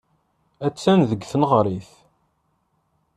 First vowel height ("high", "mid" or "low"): low